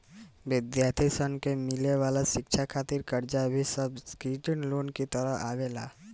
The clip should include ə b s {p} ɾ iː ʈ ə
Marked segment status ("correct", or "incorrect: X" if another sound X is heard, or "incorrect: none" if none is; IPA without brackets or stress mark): incorrect: k